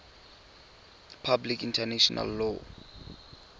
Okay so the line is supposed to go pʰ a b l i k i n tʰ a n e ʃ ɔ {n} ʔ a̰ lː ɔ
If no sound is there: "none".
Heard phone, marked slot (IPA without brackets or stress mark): n